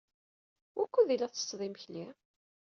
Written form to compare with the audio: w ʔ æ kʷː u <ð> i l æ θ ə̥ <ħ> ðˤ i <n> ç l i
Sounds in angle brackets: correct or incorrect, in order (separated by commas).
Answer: correct, incorrect, incorrect